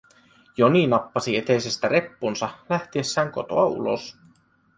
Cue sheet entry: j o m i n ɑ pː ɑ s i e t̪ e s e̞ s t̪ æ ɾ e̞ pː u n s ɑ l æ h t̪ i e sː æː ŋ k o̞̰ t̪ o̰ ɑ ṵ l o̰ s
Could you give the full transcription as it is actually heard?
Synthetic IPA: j o n i n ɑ pː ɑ s i e t̪ e s e̞ s t̪ æ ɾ e̞ pː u n s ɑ l æ h t̪ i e sː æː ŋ k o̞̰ t̪ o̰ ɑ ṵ l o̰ s